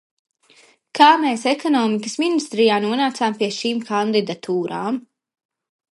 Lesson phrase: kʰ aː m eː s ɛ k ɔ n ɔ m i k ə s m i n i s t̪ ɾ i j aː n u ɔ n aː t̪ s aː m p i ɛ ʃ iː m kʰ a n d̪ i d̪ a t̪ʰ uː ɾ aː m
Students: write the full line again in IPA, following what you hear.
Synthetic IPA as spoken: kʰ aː m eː s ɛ k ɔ n ɔː m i k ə s m i n i s t̪ ɾ i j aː n u ɔ n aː t̪ s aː m p i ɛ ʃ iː m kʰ a n d̪ i d̪ a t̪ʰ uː ɾ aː m